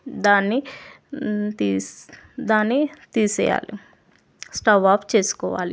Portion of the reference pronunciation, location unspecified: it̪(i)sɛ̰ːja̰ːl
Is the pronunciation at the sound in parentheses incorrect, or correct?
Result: incorrect